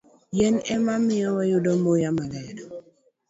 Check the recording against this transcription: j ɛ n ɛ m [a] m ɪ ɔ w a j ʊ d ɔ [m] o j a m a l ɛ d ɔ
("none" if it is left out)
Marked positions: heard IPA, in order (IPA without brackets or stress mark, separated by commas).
a, m